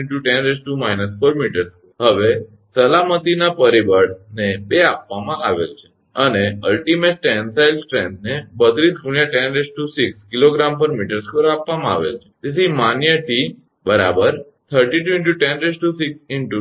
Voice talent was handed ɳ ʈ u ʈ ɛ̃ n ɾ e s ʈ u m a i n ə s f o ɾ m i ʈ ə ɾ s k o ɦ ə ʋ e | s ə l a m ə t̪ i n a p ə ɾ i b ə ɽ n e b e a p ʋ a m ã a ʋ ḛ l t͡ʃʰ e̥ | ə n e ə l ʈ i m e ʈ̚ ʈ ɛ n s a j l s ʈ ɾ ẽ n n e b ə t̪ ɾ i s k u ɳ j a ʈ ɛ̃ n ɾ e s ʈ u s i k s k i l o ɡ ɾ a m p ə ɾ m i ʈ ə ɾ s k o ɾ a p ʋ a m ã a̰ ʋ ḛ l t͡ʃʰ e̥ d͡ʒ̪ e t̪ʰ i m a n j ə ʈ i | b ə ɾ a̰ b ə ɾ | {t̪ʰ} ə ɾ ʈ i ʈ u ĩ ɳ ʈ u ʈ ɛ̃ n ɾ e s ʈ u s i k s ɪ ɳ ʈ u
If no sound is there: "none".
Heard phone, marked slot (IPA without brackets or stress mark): t̪ʰ